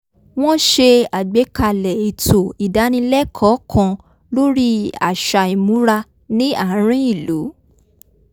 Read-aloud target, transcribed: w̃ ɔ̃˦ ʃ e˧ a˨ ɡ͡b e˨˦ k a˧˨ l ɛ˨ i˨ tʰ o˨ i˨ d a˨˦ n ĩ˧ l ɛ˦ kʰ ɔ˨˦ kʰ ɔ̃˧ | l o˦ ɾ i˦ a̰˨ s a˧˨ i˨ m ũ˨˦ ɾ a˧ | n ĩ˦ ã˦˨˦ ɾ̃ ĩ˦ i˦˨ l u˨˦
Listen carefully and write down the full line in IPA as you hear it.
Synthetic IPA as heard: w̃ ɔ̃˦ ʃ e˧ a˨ ɡ͡b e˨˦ k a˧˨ l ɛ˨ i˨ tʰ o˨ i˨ d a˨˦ n ĩ˧ l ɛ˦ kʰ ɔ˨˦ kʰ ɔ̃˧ | l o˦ ɾ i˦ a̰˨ ʃ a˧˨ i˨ m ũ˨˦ ɾ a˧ | n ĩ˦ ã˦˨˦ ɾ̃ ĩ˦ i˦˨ l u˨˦